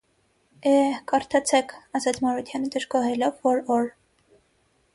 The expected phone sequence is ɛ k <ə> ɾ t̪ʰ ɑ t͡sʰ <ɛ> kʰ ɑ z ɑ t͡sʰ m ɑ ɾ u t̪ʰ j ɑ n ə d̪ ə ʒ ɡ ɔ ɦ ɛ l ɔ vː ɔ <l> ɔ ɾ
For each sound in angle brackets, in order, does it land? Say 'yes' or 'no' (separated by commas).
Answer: no, yes, no